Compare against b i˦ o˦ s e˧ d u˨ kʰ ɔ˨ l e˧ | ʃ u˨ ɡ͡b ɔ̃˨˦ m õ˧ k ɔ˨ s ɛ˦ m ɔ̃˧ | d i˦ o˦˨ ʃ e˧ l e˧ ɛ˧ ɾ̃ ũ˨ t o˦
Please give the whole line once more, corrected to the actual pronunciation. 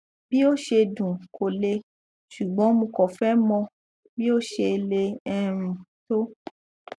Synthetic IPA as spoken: b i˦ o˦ ʃ e˧ d ũ˨ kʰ o˨ l e˧ | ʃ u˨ ɡ͡b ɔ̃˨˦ m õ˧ k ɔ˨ f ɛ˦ m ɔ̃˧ | b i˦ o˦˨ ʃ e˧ l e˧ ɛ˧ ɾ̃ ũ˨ t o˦

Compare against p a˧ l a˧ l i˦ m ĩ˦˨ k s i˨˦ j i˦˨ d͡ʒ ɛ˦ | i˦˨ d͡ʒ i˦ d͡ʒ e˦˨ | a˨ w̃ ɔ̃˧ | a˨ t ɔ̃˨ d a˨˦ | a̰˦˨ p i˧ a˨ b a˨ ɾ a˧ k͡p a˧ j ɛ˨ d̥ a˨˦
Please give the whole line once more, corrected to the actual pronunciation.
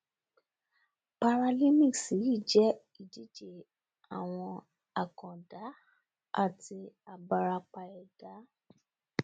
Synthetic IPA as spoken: p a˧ ɾ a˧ l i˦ m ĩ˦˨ k s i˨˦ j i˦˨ d͡ʒ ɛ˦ | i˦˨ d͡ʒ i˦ d͡ʒ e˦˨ | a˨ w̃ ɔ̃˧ | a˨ k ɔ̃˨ d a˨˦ | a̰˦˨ t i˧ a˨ b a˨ ɾ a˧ k͡p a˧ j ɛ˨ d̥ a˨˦

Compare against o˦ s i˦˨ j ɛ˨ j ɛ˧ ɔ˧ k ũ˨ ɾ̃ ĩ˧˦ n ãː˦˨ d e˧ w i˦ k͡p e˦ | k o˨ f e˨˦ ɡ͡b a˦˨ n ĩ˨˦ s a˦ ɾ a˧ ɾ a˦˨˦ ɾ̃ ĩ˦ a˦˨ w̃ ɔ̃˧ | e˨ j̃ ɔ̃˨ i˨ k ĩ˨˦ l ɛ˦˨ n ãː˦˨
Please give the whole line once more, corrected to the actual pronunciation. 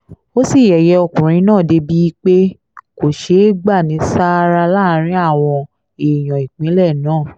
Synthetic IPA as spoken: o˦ s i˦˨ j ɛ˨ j ɛ˧ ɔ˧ k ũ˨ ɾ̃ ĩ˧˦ n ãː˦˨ d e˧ b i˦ k͡p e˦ | k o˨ ʃ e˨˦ ɡ͡b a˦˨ n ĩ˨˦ s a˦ ɾ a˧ l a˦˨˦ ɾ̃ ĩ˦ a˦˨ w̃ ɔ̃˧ | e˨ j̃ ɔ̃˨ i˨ k͡p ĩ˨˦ l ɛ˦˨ n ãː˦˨

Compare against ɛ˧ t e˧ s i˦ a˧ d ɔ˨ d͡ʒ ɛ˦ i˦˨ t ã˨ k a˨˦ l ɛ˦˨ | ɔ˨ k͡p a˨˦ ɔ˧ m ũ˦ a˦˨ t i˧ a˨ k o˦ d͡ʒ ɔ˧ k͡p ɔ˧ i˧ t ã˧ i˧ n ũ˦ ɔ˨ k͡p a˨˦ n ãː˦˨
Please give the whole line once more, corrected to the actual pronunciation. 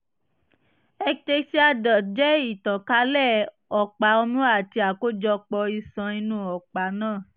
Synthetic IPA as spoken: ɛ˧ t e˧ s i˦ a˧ d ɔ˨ d͡ʒ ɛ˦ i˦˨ t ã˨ k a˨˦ l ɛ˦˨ | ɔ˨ k͡p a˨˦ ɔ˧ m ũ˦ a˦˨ t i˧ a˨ k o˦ d͡ʒ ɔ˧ k͡p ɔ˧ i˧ s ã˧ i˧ n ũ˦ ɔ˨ k͡p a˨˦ n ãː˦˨

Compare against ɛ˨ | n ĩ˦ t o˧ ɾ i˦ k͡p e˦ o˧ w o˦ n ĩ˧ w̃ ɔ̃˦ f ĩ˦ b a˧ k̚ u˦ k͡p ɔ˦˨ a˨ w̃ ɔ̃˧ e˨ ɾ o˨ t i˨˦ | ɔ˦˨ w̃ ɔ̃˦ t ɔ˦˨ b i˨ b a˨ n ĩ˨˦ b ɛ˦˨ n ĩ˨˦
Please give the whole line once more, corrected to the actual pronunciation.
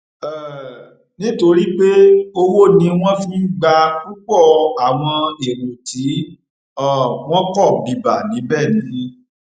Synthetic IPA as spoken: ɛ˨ | n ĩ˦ t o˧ ɾ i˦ k͡p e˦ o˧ w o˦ n ĩ˧ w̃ ɔ̃˦ f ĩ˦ ɡ͡b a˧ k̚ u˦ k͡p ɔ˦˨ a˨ w̃ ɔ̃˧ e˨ ɾ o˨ t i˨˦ | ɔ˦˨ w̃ ɔ̃˦ k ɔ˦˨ b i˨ b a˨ n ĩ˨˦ b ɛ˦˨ n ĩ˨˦

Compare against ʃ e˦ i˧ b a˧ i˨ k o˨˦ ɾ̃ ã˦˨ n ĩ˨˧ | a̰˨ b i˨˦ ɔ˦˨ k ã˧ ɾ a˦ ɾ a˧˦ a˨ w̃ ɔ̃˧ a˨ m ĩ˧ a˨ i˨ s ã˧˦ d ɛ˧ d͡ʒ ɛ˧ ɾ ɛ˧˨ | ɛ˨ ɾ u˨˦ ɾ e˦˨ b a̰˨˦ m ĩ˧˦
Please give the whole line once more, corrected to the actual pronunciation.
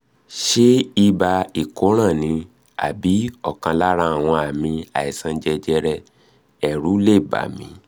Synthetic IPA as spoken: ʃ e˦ i˧ b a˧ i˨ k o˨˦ ɾ̃ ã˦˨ n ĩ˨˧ | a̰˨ b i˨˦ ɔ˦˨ k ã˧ l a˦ ɾ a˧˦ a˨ w̃ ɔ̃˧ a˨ m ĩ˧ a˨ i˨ s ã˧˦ d͡ʒ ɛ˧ d͡ʒ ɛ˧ ɾ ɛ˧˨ | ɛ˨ ɾ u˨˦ l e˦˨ b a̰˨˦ m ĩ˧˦

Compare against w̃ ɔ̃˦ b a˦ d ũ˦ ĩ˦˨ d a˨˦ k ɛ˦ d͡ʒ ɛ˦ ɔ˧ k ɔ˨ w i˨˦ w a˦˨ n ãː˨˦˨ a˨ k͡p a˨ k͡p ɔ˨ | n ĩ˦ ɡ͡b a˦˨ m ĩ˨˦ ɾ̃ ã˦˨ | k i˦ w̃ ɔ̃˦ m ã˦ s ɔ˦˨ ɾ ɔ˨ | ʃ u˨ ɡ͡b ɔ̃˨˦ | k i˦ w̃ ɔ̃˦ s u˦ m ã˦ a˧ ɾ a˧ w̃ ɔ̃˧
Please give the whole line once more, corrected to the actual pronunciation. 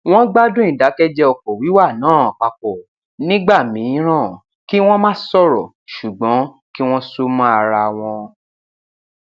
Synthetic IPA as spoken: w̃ ɔ̃˦ ɡ͡b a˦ d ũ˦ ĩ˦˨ d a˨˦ k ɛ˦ d͡ʒ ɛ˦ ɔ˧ k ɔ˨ w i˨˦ w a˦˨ n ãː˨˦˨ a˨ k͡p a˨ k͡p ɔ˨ | n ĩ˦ ɡ͡b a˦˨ m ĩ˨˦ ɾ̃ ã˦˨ | k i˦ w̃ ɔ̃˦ m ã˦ s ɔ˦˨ ɾ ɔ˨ | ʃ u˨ ɡ͡b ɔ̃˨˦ | k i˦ w̃ ɔ̃˦ s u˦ m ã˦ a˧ ɾ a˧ w̃ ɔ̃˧

